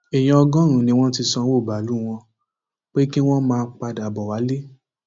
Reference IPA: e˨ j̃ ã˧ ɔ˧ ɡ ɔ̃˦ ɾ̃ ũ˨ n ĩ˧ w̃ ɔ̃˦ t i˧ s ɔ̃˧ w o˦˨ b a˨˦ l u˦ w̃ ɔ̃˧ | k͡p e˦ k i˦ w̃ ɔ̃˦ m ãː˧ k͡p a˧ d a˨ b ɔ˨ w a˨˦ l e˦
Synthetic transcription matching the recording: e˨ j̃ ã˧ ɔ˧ ɡ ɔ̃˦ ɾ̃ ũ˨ n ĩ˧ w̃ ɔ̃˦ t i˧ s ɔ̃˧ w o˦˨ b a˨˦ l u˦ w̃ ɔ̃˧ | k͡p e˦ k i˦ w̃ ɔ̃˦ m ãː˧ k͡p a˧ d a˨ b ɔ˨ w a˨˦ l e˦